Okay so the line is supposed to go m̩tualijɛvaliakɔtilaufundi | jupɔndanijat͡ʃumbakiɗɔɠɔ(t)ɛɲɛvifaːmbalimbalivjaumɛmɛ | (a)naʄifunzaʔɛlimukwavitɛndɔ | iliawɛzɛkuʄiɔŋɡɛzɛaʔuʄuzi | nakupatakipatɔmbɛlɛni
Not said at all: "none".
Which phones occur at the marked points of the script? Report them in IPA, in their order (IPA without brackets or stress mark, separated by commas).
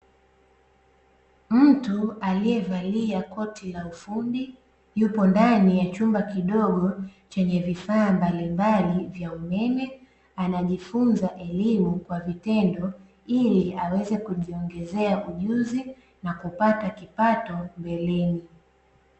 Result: t͡ʃ, a